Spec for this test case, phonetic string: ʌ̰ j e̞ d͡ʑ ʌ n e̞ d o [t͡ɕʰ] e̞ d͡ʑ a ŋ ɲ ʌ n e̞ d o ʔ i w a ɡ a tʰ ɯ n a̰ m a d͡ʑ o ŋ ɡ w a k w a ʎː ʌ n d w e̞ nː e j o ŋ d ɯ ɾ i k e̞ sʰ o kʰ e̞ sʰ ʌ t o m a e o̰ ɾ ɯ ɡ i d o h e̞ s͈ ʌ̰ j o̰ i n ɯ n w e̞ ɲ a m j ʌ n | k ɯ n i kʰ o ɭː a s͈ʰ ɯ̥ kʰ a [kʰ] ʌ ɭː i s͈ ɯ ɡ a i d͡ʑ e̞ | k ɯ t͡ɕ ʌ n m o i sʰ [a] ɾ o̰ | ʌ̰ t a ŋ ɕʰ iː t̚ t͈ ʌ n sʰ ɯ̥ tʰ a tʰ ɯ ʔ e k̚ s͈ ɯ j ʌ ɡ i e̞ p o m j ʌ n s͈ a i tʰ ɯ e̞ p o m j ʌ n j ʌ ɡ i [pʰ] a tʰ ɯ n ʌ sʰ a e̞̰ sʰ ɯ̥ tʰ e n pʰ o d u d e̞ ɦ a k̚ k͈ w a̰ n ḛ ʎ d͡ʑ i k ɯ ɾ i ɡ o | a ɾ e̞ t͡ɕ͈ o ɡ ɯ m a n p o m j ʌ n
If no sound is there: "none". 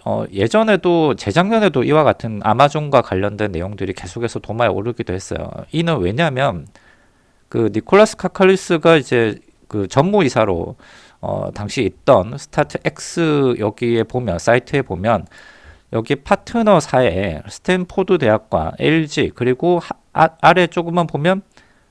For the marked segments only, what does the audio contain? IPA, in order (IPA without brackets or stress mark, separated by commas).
t͡ɕ, kʰ, a, pʰ